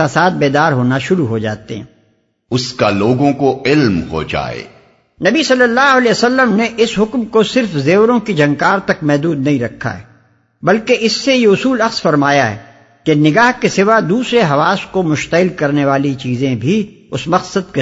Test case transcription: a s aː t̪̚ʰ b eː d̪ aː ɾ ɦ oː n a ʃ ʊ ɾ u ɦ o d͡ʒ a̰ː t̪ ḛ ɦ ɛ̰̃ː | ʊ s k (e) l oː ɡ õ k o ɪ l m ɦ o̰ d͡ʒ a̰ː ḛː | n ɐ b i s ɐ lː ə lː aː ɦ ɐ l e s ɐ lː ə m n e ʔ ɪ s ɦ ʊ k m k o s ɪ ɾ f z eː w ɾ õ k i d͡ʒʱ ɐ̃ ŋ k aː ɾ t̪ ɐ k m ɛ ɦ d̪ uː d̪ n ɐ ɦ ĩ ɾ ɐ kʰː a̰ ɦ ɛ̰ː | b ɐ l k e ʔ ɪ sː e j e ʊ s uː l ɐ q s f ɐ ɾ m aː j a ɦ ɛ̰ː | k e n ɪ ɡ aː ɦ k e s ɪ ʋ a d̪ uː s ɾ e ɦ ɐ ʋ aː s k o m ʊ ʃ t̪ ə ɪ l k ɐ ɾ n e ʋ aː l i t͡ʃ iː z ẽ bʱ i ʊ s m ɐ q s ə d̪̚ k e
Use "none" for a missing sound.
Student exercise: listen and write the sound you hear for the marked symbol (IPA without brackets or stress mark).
a